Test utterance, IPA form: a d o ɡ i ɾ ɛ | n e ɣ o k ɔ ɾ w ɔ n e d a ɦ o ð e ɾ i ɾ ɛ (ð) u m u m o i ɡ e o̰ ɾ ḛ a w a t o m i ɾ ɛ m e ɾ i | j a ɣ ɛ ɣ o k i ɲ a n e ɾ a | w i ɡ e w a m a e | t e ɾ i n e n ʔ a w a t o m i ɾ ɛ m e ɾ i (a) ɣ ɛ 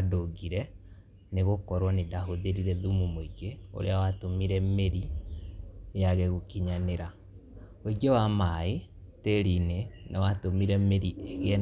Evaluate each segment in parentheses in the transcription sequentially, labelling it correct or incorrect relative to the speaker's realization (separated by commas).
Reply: correct, incorrect